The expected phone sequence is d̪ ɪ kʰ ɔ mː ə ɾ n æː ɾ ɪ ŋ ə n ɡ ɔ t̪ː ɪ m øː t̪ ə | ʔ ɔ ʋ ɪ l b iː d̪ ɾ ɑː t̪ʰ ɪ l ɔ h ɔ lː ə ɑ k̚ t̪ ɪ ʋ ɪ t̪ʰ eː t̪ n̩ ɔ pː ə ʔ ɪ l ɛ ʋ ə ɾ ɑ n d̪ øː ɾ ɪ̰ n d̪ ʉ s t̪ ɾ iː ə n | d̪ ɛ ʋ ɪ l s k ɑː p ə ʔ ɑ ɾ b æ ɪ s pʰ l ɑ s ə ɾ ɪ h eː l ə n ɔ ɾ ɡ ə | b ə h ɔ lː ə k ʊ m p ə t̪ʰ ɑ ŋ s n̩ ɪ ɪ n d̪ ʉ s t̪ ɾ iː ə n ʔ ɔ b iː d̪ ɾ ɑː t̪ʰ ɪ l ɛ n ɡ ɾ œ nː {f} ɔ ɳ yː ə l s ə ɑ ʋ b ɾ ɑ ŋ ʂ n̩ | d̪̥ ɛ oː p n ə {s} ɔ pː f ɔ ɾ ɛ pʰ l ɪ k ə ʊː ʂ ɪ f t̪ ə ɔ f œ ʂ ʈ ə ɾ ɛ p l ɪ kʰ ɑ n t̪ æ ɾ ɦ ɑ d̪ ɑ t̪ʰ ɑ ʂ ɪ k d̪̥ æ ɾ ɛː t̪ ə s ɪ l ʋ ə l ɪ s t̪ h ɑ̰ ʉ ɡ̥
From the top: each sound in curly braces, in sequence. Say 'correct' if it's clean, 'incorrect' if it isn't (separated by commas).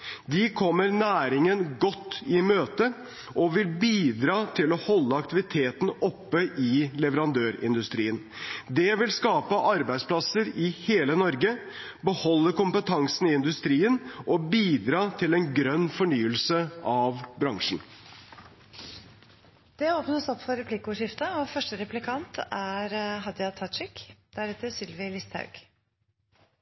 correct, correct